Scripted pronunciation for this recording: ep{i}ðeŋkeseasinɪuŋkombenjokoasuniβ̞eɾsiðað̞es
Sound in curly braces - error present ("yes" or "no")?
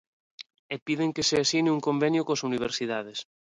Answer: no